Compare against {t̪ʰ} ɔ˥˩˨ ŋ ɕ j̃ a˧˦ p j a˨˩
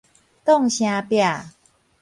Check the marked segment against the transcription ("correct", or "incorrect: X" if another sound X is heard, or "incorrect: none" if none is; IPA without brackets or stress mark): incorrect: t̪